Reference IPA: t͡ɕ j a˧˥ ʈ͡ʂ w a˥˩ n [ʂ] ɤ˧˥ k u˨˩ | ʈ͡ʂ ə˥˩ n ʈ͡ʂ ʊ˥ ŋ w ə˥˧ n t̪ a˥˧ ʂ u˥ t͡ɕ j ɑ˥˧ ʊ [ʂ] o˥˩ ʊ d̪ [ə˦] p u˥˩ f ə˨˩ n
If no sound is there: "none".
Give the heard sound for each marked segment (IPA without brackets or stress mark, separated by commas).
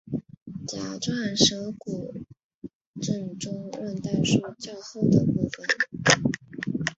ʂ, x, ə˩